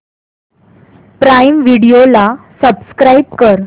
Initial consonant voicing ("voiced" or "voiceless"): voiceless